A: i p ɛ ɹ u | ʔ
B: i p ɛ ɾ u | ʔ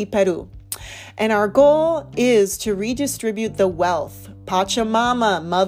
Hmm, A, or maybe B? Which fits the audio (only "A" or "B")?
B